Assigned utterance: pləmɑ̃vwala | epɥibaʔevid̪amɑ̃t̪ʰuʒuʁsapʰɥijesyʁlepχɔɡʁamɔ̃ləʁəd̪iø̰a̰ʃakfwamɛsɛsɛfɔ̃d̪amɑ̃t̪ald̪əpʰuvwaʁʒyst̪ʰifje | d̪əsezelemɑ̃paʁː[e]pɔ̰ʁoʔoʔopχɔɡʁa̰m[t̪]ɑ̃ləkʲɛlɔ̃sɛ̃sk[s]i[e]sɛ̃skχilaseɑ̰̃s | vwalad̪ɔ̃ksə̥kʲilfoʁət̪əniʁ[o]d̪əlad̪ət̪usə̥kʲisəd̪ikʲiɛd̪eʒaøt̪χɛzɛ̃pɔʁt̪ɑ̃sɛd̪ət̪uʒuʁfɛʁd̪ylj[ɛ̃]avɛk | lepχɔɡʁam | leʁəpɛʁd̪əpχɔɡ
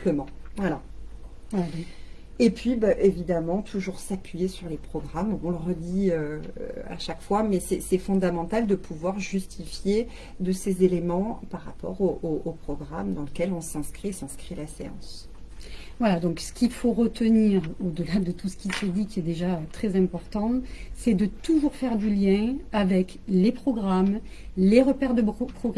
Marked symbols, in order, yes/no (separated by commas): no, no, no, yes, yes, yes